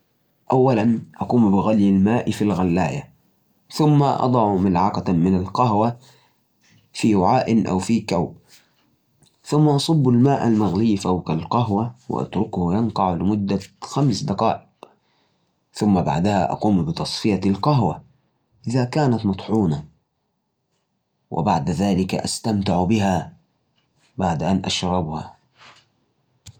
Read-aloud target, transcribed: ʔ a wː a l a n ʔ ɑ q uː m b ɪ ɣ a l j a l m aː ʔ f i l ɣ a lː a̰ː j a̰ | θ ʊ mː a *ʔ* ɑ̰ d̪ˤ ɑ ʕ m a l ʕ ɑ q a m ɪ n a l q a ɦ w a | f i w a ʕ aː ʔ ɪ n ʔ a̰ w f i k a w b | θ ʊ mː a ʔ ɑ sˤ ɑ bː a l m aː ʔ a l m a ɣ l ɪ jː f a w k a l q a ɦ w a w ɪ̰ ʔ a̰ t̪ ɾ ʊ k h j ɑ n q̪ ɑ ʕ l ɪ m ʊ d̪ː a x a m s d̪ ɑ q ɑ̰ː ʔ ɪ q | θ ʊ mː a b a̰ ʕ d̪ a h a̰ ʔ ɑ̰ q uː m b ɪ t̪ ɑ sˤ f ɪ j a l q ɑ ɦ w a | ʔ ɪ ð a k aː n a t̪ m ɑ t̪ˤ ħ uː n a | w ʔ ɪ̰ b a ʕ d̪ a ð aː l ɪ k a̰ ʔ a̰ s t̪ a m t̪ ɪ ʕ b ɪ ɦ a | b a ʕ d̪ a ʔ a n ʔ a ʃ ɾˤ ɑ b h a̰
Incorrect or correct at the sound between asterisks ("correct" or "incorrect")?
correct